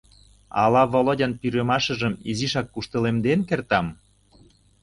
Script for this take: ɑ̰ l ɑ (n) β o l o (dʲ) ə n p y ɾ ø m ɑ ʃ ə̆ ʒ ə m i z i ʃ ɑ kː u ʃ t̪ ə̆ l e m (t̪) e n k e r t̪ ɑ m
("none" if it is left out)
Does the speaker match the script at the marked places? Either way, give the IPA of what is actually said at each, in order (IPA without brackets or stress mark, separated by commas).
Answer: none, dʲ, d̪